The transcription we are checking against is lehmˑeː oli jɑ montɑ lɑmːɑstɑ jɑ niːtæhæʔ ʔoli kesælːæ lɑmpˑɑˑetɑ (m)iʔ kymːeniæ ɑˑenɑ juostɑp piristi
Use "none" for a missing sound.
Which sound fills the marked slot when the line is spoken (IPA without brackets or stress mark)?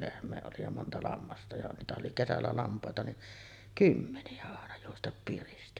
n